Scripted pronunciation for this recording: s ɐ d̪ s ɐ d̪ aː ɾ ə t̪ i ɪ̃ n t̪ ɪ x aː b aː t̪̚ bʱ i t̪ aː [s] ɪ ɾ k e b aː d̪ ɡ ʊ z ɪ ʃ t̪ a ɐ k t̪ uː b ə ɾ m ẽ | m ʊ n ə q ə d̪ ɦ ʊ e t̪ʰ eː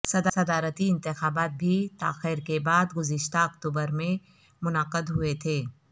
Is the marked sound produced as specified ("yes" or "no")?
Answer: no